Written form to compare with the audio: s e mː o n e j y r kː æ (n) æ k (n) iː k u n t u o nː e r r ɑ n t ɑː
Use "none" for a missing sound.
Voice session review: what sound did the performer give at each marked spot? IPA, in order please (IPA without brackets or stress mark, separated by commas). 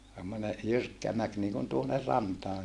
m, n